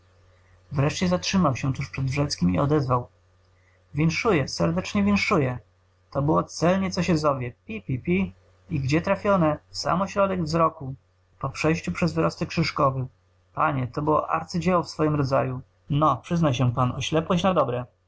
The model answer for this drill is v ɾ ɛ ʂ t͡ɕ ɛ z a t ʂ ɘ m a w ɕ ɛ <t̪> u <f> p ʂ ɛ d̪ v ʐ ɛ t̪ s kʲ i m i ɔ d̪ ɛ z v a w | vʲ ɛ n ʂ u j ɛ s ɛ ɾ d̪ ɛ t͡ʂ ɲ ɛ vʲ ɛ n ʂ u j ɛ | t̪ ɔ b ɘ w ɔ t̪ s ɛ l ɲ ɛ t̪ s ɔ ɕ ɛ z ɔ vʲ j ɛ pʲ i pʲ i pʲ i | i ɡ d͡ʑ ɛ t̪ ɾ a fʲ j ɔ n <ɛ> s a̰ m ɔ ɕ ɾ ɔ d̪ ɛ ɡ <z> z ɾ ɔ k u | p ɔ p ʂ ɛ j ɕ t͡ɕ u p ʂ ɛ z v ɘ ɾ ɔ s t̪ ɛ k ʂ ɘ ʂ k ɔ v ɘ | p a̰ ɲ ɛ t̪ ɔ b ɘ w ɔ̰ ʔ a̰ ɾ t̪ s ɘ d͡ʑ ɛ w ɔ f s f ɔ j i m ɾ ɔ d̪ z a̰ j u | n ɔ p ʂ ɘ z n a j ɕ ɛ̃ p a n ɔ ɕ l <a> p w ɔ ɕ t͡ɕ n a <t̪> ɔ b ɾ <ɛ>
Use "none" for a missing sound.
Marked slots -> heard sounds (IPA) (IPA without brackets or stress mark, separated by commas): t̪, ʂ, ɛ, v, ɛ, d̪, ɛ